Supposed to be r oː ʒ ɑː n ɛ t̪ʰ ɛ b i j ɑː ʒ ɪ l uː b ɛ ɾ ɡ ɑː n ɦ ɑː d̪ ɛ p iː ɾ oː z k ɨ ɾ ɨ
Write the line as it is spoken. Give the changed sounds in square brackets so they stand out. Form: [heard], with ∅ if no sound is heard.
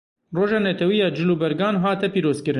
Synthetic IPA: r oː ʒ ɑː n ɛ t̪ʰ ɛ [w] i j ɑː [d͡ʒ] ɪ l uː b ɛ ɾ ɡ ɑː n ɦ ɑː [t̪] ɛ p iː ɾ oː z k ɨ ɾ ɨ